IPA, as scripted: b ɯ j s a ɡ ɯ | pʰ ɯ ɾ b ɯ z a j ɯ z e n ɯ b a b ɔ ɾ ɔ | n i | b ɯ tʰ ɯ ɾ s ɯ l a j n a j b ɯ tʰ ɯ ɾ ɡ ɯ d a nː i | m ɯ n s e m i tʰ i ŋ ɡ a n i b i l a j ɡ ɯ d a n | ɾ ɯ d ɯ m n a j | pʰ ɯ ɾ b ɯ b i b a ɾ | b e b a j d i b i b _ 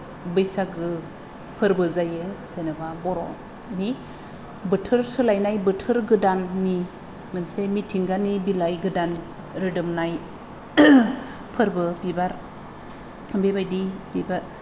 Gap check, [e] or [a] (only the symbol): a